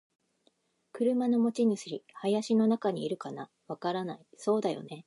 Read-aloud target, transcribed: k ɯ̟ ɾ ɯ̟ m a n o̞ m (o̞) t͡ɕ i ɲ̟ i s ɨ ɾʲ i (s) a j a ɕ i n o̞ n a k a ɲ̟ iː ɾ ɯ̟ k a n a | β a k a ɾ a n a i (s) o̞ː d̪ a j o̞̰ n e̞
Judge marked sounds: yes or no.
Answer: yes, no, yes

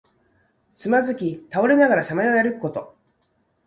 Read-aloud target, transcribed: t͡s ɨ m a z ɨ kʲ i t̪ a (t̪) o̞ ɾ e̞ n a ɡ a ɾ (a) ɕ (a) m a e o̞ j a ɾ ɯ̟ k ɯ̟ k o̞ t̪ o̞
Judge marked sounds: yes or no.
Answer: no, yes, yes

